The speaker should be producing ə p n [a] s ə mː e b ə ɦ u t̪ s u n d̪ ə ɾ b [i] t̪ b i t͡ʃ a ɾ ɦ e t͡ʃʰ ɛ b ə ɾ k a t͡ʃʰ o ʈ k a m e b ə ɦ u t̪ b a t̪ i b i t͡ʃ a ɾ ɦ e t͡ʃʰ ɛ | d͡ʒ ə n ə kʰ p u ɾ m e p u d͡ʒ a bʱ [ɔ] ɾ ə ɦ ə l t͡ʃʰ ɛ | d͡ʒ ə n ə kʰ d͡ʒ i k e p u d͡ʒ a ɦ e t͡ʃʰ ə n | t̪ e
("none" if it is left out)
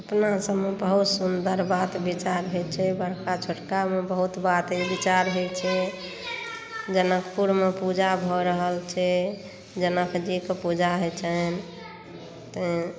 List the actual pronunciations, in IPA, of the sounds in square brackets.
a, a, ɔ

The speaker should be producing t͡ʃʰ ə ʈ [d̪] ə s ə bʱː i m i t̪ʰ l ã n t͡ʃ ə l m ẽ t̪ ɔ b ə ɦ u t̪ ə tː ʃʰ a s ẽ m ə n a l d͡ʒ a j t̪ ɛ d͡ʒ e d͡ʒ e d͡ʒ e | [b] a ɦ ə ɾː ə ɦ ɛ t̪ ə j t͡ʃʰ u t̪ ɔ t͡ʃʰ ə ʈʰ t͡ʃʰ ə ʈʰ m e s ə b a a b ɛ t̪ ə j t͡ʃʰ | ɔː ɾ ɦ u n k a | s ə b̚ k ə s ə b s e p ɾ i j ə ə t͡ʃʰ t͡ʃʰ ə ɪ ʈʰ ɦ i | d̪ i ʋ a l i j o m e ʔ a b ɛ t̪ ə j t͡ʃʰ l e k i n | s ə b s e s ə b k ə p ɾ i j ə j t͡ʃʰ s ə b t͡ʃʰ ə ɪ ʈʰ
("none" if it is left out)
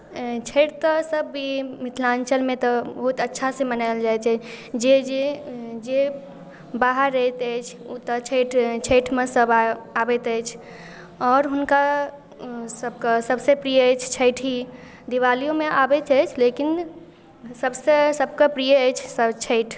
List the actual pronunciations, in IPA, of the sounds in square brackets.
t̪, b

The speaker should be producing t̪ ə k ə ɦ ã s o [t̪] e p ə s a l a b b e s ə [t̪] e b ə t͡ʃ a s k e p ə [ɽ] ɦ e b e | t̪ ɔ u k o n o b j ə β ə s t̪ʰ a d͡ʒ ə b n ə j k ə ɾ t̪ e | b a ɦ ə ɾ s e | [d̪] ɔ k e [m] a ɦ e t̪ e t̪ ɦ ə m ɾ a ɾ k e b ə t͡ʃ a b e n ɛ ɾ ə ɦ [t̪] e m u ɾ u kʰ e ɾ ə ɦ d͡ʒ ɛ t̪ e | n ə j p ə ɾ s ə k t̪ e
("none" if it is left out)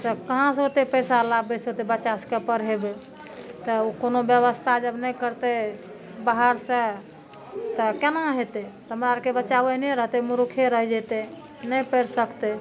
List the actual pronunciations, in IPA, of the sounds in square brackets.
t̪, t̪, ɾ, t̪, n, t̪

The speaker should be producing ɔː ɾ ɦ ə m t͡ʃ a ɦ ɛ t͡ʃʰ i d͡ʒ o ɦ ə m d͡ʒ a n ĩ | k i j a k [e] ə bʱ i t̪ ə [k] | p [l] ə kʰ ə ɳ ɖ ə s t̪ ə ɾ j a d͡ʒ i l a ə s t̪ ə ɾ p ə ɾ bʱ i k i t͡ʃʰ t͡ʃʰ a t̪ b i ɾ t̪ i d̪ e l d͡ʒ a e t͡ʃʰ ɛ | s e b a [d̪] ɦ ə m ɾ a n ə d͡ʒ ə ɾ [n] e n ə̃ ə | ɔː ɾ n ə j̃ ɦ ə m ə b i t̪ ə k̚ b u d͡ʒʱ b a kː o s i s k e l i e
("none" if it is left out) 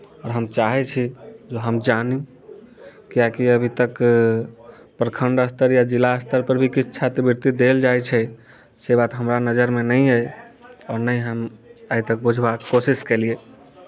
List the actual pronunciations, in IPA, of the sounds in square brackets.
i, k, ɾ, t̪, m

